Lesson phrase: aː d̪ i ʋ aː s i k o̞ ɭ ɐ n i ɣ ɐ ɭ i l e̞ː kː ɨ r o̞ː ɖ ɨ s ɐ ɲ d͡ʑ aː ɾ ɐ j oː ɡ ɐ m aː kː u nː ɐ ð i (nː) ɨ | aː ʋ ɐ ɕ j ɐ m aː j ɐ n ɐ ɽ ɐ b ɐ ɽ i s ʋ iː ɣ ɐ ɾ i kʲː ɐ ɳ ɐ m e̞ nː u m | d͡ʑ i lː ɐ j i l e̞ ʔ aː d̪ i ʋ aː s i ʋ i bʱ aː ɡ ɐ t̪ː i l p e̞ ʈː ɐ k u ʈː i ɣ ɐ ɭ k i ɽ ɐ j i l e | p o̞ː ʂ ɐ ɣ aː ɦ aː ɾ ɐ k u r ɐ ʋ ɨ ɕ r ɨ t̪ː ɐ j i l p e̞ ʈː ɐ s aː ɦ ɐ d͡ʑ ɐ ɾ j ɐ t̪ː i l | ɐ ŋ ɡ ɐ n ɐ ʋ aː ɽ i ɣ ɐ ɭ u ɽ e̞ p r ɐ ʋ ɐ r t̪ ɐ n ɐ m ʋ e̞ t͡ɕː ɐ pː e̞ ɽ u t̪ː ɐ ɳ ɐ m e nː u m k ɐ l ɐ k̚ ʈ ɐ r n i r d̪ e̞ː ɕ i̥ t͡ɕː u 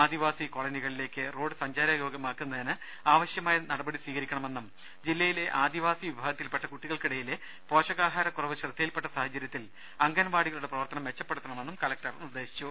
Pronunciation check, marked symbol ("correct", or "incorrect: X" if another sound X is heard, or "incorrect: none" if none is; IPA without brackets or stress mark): incorrect: n